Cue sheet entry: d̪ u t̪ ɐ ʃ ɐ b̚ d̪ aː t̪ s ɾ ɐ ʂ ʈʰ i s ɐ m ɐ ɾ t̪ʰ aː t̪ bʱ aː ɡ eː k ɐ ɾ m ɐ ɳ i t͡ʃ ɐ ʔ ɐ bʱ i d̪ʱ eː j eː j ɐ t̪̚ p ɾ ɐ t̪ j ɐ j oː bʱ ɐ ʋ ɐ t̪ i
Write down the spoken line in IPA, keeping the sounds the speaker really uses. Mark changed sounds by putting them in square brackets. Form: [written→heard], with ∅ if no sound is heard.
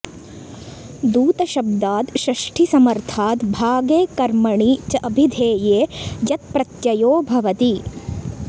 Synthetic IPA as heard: d̪ [u→uː] t̪ ɐ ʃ ɐ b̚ d̪ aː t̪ [s→ʃ] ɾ ɐ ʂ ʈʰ i s ɐ m ɐ ɾ t̪ʰ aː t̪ bʱ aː ɡ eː k ɐ ɾ m ɐ ɳ i t͡ʃ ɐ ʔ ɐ bʱ i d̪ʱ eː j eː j ɐ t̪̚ p ɾ ɐ t̪ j ɐ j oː bʱ ɐ ʋ ɐ t̪ i